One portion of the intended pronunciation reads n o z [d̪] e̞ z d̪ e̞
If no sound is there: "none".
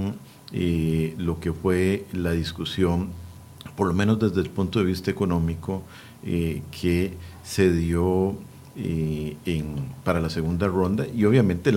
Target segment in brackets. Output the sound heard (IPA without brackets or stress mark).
d̪